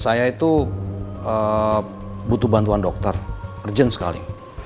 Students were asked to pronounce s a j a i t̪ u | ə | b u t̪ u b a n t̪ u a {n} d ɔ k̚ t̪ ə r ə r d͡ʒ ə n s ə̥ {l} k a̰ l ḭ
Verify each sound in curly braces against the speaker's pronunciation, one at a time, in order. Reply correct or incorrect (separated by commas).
correct, incorrect